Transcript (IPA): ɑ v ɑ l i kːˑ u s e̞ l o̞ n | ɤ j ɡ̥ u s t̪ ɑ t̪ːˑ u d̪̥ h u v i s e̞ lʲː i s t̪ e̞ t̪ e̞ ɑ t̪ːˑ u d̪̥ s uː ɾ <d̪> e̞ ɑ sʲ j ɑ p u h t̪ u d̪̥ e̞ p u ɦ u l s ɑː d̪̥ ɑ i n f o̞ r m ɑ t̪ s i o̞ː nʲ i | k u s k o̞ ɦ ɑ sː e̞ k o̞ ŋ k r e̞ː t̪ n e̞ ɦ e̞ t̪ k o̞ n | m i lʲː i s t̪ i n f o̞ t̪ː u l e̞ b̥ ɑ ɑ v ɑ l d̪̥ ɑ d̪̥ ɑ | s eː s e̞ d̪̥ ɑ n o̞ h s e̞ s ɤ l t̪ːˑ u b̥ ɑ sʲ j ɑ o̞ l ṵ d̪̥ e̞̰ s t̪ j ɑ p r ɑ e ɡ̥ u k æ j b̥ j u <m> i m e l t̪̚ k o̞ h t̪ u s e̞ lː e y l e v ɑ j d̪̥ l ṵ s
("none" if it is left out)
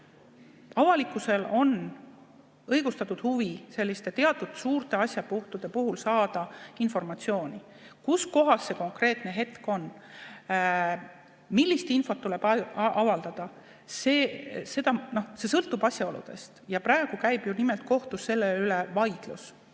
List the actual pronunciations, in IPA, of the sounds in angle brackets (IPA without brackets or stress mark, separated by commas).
t̪, n